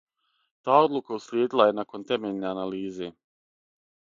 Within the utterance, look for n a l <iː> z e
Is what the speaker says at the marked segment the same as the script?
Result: yes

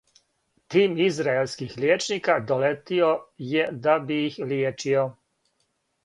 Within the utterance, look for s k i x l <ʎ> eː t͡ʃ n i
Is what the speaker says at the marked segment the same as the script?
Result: no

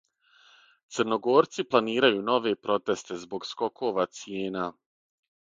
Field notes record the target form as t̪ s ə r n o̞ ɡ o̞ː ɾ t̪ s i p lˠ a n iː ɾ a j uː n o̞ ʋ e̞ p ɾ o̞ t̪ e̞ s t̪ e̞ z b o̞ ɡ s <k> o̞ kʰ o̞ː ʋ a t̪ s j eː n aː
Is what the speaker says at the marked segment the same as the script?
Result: yes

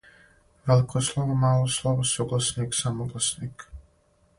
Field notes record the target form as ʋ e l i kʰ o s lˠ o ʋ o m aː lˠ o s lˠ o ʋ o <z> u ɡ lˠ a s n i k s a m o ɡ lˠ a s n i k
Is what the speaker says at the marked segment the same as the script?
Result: no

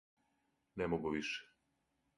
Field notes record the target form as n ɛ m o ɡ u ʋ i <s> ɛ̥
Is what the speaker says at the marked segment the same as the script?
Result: no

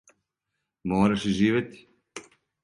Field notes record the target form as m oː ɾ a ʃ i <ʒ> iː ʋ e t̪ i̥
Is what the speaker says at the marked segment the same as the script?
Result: yes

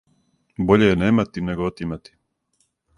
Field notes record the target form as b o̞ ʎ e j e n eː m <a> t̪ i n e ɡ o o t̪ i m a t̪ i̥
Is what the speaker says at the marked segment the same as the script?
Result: yes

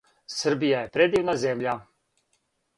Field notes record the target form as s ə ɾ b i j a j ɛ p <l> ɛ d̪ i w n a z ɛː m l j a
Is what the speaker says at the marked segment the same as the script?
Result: no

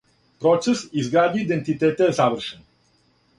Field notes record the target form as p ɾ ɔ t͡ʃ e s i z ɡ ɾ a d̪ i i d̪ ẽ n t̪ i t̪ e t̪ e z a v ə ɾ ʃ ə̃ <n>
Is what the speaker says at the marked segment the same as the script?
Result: yes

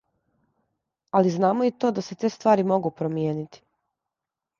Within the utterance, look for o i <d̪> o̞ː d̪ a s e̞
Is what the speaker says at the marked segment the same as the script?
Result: no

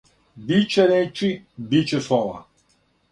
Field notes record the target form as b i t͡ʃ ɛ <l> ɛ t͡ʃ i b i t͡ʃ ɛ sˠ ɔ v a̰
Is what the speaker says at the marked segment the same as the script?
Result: no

